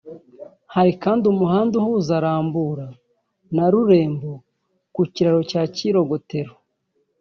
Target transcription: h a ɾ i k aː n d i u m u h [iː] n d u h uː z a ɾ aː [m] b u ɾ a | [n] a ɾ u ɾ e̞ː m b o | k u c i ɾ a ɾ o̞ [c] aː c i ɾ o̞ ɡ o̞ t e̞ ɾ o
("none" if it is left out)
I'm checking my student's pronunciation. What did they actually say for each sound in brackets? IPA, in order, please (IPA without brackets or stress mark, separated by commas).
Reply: aː, m, n, c